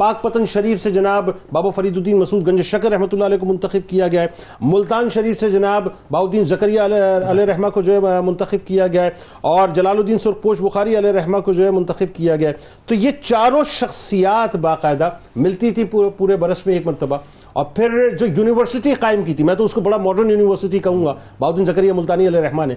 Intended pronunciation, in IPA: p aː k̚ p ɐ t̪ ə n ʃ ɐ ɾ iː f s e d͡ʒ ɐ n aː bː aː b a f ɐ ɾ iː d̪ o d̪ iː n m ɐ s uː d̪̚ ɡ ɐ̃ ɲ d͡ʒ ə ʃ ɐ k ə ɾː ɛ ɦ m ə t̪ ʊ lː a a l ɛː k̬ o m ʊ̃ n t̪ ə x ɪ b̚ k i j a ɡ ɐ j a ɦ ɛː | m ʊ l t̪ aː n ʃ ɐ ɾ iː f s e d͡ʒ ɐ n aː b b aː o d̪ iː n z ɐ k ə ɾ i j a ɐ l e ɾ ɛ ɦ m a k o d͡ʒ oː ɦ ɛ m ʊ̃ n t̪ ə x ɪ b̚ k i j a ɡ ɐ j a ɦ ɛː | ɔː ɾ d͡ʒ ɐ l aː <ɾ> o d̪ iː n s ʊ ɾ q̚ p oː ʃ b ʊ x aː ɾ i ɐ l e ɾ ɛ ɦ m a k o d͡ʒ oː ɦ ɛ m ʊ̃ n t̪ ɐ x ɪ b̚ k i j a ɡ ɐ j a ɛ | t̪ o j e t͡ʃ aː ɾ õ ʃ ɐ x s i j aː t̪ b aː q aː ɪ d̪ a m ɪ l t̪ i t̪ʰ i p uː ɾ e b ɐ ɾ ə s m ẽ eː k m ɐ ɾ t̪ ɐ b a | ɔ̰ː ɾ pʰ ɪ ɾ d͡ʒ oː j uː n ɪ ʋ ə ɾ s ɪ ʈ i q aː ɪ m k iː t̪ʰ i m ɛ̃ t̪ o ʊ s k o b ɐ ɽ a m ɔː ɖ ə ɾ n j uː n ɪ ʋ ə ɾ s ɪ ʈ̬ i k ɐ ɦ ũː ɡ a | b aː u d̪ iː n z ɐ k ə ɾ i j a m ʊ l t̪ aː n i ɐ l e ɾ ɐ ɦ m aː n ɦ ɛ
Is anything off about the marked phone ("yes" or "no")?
yes